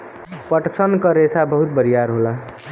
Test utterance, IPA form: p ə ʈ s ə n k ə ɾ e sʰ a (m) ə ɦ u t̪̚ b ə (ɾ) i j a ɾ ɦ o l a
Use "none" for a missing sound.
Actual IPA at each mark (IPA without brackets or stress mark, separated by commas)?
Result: b, ɾ